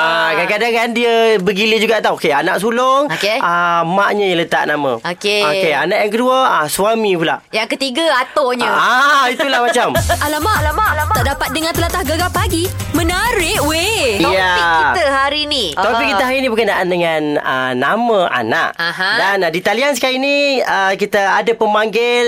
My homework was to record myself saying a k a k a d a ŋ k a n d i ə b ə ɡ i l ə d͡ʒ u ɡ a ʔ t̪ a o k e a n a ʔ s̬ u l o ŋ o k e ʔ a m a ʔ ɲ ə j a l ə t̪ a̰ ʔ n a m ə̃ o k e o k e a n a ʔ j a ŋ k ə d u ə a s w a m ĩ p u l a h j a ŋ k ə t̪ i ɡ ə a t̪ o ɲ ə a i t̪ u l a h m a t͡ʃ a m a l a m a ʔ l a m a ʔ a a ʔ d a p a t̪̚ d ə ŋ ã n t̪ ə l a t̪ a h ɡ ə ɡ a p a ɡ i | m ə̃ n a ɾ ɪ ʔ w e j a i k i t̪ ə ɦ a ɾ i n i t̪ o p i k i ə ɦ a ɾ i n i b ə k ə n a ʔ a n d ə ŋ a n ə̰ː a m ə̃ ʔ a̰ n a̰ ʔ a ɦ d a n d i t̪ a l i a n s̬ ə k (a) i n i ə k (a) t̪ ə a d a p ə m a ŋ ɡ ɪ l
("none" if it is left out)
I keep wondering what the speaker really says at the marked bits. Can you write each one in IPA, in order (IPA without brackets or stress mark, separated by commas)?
a, i